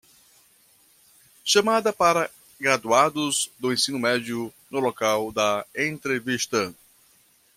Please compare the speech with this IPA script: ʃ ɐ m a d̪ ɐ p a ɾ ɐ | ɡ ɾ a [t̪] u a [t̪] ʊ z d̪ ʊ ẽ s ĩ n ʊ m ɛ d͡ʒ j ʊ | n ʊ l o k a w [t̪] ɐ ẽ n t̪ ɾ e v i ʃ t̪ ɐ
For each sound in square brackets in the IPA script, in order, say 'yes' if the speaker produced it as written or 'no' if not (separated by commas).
no, no, no